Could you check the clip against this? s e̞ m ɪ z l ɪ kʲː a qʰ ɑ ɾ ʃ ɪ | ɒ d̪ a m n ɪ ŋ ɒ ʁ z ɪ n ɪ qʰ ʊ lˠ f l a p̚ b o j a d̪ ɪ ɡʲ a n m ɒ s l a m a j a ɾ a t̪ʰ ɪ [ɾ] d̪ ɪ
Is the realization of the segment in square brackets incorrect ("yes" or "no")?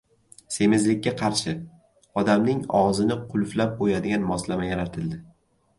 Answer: yes